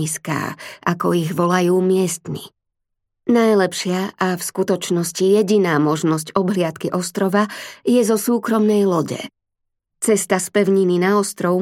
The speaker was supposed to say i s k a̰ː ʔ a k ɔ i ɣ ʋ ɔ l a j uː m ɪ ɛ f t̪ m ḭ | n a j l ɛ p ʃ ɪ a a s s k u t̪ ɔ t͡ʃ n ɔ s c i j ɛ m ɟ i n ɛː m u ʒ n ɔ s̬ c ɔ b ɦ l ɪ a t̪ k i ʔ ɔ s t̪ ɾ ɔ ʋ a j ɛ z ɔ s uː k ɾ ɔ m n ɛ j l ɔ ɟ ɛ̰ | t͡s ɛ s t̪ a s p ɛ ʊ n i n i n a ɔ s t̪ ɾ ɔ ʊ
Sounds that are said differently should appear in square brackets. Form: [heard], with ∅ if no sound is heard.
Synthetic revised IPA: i s k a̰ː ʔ a k ɔ i ɣ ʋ ɔ l a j uː m ɪ ɛ [s] t̪ m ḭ | n a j l ɛ p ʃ ɪ a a [f] s k u t̪ ɔ t͡ʃ n ɔ s c i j ɛ [∅] ɟ i n [aː] m [ɔ] ʒ n ɔ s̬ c ɔ b ɦ l ɪ a t̪ k i ʔ ɔ s t̪ ɾ ɔ ʋ a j ɛ z ɔ s uː k ɾ ɔ m n ɛ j l ɔ ɟ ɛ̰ | t͡s ɛ s t̪ a s p ɛ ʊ [ɲ] i n i n a ɔ s t̪ ɾ ɔ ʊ